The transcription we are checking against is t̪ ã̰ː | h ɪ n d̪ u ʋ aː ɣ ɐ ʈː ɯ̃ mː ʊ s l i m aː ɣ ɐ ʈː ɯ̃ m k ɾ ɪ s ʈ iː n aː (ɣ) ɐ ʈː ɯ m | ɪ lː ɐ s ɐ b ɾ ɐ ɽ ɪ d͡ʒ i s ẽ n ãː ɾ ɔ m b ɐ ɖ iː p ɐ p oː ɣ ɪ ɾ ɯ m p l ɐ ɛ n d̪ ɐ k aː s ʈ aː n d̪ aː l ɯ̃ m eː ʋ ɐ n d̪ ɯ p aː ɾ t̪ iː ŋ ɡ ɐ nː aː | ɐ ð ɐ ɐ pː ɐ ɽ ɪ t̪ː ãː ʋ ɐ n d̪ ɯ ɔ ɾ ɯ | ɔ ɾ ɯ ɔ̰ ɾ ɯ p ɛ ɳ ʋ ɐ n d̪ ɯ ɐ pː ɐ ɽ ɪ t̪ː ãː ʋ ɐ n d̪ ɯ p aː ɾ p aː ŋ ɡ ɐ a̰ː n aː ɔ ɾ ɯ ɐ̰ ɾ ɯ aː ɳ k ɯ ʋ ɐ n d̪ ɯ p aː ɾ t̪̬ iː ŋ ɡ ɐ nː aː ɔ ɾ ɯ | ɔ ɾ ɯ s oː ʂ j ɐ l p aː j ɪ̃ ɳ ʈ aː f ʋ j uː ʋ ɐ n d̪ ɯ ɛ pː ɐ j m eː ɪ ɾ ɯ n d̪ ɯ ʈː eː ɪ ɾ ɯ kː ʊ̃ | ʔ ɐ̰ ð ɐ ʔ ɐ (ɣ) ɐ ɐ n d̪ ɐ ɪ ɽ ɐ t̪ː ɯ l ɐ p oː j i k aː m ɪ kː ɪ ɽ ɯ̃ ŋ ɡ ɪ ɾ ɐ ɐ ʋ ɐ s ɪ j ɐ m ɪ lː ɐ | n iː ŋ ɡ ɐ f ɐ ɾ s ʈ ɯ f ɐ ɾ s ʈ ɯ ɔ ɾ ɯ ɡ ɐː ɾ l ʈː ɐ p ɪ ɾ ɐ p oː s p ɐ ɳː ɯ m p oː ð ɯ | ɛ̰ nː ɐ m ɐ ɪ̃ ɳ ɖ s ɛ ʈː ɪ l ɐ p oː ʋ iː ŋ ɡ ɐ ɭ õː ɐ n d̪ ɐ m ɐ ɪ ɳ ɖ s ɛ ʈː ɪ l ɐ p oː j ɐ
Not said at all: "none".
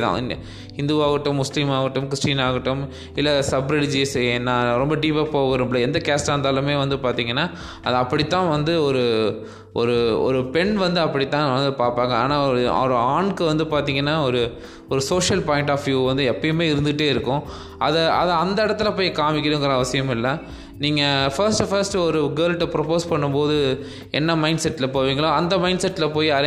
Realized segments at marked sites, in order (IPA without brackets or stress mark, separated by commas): ɣ, ð